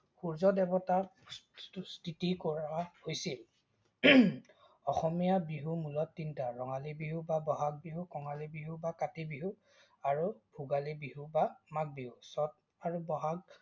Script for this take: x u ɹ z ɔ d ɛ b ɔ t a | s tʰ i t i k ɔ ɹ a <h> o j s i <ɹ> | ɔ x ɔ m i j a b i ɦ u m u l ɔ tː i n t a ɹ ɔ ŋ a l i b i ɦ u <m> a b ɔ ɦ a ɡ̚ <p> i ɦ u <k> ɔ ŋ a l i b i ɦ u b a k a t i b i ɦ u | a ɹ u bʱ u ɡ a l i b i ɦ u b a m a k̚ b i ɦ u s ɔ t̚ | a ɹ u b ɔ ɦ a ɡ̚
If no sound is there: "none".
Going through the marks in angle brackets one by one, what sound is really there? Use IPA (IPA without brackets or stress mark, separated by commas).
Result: h, l, b, b, k